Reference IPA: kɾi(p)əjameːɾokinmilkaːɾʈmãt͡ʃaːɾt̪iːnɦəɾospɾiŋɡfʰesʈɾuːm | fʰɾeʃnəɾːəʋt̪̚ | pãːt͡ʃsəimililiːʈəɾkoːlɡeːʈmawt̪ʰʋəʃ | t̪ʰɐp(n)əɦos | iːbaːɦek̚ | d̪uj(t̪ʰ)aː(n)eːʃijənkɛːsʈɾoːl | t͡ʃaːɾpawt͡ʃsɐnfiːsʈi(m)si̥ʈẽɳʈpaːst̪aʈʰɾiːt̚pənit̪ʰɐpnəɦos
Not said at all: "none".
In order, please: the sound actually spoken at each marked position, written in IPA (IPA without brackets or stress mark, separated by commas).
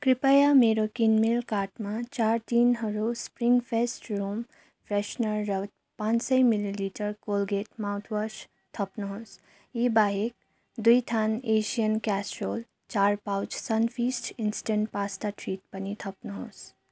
p, n, t̪ʰ, n, n